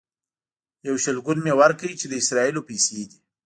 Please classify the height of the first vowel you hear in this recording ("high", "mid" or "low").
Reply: low